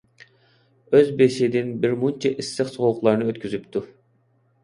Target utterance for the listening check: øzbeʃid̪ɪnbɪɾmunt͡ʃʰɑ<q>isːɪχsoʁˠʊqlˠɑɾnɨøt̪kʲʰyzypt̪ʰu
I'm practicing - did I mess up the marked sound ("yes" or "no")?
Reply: yes